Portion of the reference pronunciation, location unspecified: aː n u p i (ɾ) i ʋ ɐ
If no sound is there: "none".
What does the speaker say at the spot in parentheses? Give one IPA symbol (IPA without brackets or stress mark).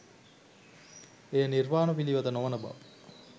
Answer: l